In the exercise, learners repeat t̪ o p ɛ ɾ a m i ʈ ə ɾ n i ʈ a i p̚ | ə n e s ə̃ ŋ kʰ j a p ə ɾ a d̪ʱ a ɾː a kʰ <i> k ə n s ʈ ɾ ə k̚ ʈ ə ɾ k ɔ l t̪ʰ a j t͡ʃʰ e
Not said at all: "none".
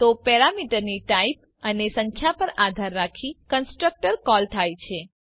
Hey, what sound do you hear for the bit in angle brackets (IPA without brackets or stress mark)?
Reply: i